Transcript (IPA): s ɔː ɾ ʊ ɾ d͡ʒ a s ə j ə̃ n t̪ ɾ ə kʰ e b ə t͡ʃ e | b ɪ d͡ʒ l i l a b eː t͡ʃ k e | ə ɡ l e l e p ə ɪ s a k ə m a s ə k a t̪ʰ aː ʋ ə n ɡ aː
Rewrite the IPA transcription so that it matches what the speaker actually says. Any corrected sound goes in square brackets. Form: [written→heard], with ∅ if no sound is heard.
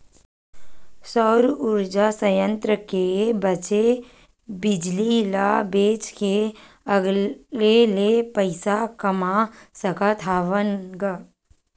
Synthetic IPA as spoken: s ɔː ɾ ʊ ɾ d͡ʒ a s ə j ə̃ n t̪ ɾ ə [kʰ→k] e b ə t͡ʃ e | b ɪ d͡ʒ l i l a b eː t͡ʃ k e | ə ɡ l e l e p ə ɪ s a k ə m a s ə k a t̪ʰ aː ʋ ə n ɡ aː